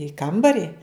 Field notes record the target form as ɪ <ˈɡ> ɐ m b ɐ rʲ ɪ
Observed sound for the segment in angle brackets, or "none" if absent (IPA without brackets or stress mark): k